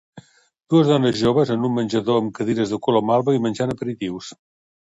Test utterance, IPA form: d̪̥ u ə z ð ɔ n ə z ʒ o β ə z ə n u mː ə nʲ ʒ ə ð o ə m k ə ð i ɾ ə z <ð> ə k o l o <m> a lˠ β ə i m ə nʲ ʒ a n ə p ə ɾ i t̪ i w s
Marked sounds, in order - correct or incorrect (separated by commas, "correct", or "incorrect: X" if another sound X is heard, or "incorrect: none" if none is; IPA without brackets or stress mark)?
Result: correct, correct